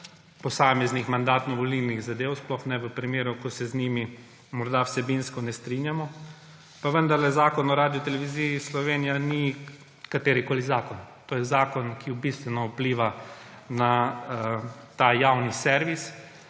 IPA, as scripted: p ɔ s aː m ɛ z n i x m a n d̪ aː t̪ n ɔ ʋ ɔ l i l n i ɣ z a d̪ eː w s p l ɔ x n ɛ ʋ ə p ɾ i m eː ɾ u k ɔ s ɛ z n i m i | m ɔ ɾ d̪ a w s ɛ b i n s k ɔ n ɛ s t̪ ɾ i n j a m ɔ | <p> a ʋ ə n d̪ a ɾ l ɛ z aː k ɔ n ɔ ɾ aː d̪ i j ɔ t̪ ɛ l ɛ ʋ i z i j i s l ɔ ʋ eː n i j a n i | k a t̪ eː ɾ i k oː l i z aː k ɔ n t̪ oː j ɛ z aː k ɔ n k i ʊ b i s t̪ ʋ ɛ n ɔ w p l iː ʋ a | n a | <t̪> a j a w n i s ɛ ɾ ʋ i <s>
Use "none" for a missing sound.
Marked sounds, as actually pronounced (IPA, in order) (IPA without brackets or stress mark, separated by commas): p, t̪, s